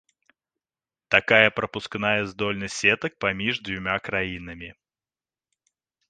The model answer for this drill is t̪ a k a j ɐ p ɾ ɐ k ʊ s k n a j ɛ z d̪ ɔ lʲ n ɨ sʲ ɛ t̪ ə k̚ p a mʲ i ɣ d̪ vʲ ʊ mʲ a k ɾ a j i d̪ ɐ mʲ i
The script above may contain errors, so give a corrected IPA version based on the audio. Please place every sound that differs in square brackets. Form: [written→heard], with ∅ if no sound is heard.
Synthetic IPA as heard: t̪ a k a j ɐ p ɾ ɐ [k→p] ʊ s k n a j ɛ z d̪ ɔ lʲ n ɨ sʲ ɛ t̪ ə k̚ p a mʲ i [ɣ→ʐ] d̪ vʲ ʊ mʲ a k ɾ a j i [d̪→n̪] ɐ mʲ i